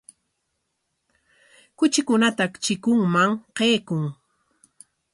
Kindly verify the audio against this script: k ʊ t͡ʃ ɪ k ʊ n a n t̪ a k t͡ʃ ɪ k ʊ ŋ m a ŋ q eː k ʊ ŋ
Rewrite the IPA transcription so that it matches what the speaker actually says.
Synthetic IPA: k ʊ t͡ʃ ɪ k ʊ n a t̪ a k t͡ʃ ɪ k ʊ ŋ m a ŋ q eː k ʊ ŋ